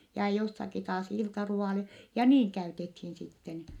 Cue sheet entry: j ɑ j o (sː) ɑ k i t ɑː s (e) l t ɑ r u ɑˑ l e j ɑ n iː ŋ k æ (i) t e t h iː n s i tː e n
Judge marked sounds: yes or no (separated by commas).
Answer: yes, no, no